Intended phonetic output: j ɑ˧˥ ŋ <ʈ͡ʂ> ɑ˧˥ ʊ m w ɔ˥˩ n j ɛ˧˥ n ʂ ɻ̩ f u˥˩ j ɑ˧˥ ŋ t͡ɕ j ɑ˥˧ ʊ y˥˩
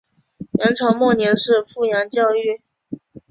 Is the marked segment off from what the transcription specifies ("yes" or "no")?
yes